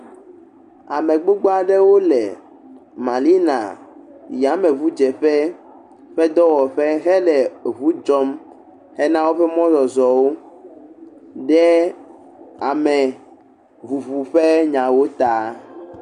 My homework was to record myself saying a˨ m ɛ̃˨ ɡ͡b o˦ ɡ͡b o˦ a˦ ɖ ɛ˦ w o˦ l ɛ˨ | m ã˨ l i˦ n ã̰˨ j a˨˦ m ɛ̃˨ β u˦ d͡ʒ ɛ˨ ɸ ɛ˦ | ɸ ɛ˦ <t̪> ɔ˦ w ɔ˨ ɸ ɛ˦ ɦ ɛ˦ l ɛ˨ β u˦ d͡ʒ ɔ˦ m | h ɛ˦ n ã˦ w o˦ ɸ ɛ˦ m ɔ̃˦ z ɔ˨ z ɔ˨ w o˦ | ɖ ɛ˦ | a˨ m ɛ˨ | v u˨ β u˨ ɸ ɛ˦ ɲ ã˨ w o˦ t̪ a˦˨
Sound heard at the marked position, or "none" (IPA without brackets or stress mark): d̪